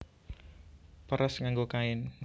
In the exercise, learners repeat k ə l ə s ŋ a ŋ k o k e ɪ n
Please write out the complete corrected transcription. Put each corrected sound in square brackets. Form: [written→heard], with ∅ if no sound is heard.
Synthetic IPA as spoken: [k→p] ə [l→ɾ] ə s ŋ a ŋ [k→ɡ] o k [e→a] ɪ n